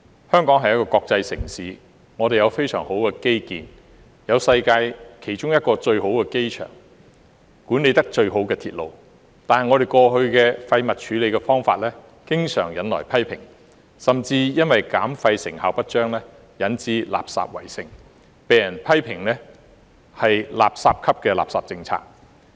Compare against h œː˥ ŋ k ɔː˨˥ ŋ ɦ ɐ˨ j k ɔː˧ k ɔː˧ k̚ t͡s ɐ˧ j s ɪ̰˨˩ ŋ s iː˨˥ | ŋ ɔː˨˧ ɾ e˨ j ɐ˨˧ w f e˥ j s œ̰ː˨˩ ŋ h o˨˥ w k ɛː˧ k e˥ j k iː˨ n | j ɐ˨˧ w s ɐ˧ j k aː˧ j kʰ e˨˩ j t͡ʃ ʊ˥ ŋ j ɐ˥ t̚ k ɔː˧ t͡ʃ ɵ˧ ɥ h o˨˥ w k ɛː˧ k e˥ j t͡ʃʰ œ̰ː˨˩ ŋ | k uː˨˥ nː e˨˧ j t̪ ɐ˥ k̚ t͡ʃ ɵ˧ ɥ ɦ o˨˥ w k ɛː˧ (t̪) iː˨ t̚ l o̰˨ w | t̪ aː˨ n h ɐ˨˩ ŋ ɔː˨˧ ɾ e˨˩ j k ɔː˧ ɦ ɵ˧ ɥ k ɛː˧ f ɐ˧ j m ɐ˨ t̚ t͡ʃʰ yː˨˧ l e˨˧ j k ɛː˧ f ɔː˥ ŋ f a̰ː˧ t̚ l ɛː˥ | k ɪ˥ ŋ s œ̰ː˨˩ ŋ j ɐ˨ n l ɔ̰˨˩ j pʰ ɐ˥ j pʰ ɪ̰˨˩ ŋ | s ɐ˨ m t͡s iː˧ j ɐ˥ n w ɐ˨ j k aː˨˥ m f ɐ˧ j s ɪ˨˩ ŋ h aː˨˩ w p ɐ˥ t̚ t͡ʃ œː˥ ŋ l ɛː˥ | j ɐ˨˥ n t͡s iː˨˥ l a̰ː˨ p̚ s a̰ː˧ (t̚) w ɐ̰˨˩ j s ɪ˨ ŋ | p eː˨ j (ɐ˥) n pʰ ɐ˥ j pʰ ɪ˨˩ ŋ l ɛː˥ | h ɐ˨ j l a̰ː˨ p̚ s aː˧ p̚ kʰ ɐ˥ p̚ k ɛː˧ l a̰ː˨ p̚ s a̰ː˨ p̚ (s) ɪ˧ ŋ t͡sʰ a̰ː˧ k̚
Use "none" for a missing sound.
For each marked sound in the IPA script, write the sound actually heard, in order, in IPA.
t̪ʰ, p̚, ɐ˨˩, t͡s

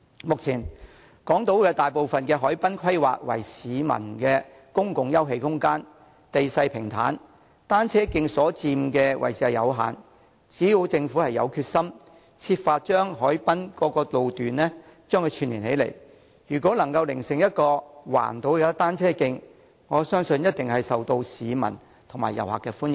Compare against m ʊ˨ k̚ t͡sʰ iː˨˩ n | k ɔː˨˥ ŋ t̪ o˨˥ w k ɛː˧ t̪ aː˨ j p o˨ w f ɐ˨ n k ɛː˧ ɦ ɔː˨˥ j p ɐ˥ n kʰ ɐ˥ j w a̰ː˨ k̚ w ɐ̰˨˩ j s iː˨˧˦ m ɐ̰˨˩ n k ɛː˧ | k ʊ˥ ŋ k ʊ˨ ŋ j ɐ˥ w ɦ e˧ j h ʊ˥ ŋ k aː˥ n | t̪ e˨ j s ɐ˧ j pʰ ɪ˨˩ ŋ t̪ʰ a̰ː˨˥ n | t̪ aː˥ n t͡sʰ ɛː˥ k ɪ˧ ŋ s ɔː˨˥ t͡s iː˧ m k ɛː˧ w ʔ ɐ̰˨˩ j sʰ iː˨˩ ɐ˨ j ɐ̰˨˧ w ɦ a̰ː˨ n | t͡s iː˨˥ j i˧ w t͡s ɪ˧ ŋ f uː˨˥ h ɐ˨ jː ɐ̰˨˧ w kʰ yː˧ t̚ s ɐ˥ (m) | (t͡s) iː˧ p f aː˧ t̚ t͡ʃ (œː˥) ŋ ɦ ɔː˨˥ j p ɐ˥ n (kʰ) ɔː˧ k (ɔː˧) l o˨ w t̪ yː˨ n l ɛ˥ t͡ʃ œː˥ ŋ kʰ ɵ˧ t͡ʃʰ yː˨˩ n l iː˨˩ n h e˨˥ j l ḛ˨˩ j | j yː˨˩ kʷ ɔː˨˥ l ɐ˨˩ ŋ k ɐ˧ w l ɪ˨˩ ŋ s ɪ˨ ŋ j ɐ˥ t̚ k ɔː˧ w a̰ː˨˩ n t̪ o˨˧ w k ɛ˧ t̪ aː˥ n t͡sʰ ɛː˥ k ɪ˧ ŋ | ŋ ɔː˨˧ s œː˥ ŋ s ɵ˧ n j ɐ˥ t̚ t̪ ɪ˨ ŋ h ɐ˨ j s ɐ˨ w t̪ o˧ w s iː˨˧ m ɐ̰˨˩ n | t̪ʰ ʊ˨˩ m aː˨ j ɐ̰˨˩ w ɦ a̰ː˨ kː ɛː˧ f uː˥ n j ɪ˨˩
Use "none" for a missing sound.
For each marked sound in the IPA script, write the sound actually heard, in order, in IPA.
m, t͡sʰ, œː˥, k, ɔː˧

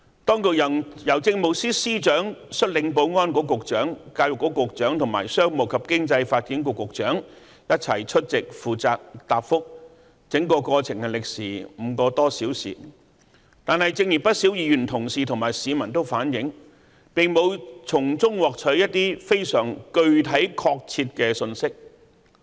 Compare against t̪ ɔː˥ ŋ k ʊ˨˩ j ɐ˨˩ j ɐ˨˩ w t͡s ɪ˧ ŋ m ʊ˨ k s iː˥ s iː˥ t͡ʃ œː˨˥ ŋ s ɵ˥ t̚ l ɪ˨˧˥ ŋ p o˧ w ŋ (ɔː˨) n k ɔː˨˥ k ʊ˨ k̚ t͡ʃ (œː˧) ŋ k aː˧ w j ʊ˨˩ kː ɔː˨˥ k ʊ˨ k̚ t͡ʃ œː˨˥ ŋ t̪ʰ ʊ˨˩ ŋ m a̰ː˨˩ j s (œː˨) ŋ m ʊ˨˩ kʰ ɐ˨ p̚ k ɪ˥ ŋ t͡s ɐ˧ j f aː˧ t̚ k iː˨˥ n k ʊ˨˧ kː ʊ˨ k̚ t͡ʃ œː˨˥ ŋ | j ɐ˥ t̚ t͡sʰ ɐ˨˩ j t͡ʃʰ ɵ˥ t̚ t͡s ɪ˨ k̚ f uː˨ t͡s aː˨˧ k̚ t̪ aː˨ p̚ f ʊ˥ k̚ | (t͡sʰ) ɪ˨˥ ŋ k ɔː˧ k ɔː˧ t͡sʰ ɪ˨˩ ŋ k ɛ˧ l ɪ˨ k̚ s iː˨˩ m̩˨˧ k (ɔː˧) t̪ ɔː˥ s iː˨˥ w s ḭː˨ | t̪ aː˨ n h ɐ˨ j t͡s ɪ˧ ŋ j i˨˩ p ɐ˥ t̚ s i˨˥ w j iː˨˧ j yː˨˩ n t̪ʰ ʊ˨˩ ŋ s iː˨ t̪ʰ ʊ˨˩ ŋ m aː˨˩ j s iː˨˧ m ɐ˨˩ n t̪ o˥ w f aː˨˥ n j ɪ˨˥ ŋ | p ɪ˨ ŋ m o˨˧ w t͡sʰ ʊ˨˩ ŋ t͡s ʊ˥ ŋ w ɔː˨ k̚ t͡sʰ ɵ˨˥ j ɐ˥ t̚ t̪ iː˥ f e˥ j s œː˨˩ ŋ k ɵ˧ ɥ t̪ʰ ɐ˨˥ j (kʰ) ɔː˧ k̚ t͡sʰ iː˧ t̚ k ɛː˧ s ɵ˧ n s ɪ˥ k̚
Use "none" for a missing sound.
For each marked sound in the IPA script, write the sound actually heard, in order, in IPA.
ɔː˥, œː˨˥, œː˥, t͡s, ɔː˧, kʰ

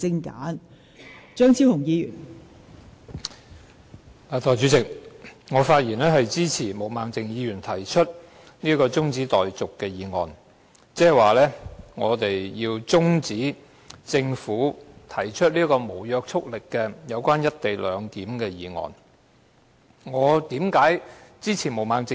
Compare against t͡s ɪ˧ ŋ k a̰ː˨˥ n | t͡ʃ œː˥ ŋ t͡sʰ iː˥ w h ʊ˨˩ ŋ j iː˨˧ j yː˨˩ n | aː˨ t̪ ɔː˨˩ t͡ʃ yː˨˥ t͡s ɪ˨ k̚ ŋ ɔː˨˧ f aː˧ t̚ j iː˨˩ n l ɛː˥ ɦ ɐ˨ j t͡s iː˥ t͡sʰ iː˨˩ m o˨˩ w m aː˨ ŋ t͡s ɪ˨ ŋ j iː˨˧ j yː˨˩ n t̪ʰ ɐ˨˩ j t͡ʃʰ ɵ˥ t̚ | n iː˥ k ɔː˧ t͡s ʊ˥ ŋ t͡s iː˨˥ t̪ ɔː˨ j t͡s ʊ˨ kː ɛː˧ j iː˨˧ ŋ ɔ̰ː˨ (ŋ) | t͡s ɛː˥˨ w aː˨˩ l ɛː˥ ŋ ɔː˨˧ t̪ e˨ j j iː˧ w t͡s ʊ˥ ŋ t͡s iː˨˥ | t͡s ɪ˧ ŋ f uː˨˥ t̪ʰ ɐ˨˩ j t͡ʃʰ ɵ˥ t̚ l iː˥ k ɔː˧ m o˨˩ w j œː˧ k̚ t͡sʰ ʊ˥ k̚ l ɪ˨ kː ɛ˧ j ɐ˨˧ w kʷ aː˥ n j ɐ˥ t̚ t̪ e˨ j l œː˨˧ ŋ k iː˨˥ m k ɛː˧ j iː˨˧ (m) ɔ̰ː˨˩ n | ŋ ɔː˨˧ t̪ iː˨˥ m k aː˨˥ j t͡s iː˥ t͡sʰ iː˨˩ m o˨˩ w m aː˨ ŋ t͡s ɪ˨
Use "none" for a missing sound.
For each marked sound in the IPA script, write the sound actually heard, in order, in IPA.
n, ŋ

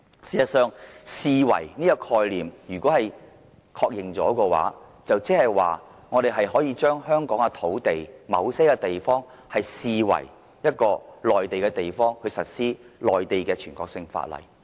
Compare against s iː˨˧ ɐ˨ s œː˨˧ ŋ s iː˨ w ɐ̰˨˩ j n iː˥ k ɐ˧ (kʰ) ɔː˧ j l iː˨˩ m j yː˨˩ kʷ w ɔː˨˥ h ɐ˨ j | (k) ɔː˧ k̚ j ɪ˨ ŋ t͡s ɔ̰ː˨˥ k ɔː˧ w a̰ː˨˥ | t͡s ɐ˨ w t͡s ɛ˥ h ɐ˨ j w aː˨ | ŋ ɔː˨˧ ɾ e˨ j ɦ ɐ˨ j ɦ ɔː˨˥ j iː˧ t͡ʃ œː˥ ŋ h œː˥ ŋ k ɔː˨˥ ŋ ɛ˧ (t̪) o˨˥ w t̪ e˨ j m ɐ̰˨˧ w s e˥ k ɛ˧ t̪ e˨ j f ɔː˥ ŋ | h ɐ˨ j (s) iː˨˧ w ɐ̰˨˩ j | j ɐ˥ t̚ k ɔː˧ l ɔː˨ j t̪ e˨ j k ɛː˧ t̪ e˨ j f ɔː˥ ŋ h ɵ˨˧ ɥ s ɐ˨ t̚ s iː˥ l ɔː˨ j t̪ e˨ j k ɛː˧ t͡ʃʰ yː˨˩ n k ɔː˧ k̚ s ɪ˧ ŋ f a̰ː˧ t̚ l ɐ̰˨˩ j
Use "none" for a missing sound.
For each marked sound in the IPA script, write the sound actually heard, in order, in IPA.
kʰ, kʰ, t̪ʰ, s

